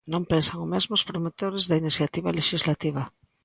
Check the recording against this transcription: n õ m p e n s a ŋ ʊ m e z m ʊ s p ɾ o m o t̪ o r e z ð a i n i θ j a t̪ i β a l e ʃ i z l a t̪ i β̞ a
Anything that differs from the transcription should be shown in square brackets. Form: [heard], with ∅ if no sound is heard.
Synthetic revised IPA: n õ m p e n s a ŋ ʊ m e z m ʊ s p ɾ o m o t̪ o [ɾ] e z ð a i n i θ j a t̪ i β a l e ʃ i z l a t̪ i β̞ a